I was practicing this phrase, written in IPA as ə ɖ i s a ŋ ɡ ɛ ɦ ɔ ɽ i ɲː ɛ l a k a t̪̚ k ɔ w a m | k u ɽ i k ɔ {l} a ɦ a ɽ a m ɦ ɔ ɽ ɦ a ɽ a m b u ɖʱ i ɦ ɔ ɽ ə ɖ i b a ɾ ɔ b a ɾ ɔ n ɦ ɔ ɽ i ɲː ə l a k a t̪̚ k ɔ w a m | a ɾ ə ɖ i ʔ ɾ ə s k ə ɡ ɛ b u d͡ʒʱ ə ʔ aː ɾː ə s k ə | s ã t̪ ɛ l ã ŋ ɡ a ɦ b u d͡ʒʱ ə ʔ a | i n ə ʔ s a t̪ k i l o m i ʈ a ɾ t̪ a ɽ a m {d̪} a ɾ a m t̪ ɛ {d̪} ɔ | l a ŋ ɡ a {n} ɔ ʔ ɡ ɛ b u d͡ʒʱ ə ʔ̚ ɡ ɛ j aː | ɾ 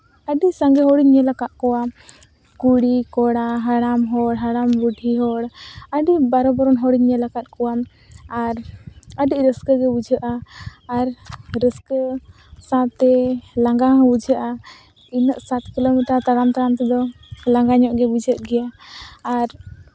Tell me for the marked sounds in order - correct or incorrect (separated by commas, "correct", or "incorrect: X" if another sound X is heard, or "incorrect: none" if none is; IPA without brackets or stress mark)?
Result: incorrect: ɽ, incorrect: t̪, correct, incorrect: ɲ